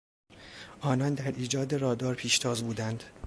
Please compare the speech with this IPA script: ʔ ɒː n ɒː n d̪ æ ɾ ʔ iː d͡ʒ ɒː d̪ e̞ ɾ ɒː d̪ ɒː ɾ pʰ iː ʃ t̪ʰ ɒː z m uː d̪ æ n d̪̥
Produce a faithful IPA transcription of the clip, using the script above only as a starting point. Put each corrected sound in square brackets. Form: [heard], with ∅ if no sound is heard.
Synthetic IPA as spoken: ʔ ɒː n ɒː n d̪ æ ɾ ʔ iː d͡ʒ ɒː d̪ e̞ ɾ ɒː d̪ ɒː ɾ pʰ iː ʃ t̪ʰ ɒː z [b] uː d̪ æ n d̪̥